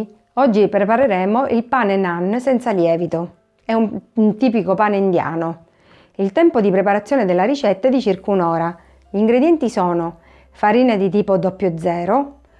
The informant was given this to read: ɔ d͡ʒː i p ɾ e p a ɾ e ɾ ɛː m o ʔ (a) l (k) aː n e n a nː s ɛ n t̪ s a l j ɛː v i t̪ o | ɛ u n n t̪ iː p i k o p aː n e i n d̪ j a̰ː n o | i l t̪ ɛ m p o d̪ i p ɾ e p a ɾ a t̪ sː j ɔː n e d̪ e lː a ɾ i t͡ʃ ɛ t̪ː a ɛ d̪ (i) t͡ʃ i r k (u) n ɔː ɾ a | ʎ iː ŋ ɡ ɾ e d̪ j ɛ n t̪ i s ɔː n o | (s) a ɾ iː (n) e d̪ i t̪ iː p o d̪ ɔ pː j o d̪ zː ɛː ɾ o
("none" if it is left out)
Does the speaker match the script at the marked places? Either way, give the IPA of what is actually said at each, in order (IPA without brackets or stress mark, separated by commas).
i, p, i, u, f, n